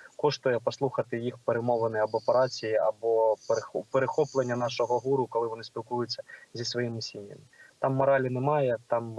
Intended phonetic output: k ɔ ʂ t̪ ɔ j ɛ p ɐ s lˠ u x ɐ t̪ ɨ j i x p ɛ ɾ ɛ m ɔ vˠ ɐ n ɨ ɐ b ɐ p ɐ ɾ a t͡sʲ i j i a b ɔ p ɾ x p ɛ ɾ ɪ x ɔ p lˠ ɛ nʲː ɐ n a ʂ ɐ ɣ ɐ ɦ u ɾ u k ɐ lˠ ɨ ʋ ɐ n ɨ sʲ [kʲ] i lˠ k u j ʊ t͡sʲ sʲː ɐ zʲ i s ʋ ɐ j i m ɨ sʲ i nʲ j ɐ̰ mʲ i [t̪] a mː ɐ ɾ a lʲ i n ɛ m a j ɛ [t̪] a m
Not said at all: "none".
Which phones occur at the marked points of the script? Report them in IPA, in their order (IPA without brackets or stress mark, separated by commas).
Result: pʲ, t̪, t̪